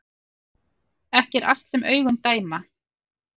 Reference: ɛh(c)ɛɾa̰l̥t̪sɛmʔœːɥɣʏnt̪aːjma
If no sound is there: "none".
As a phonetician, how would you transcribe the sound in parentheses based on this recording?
c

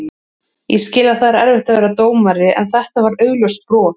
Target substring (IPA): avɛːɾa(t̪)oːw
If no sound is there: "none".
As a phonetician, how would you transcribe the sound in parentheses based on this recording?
t̪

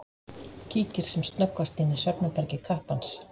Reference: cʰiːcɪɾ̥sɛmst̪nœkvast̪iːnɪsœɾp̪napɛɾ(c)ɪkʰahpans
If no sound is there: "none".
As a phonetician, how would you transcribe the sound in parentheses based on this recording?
c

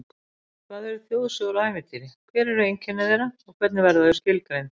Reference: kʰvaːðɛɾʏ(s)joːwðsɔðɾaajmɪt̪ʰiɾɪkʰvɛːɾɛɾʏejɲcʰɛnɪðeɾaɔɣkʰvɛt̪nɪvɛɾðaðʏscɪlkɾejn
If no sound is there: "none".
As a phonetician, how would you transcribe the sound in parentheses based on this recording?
θ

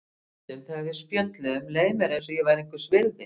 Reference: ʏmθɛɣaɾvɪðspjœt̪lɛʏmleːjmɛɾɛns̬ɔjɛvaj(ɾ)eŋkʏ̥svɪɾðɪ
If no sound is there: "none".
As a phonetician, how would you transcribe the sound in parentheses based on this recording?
ɾ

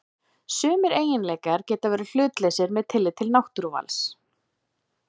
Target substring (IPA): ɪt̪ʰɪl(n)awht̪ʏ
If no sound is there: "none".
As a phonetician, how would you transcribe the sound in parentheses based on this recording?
n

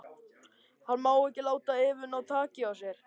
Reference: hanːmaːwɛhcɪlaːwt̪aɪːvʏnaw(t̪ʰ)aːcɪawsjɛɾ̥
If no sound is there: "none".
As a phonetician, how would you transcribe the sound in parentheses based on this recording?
t̪ʰ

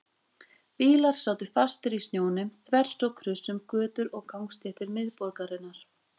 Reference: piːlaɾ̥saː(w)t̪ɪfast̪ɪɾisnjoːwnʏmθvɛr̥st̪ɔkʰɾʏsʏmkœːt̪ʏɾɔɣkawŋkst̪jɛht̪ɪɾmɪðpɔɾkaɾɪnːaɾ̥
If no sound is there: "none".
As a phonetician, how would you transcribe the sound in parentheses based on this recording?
w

